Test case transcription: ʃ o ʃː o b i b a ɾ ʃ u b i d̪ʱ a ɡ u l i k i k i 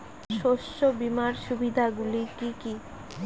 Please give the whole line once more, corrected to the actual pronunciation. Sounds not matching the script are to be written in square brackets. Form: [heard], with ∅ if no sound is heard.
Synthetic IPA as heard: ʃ o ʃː o b i [m] a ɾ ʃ u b i d̪ʱ a ɡ u l i k i k i